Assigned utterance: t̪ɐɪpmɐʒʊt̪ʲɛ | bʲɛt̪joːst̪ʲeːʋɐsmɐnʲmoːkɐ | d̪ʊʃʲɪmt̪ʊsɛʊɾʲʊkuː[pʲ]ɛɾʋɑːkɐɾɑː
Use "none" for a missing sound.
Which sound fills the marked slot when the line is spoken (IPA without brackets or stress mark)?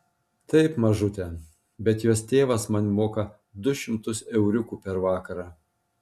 pʲ